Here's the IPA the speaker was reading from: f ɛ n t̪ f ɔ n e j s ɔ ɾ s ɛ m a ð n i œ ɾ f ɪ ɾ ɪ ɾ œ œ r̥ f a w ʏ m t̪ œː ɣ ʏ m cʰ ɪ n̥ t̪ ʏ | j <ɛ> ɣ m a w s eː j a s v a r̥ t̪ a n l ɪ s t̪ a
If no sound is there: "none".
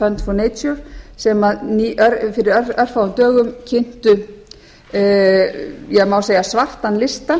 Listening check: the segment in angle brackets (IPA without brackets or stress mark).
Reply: ɛ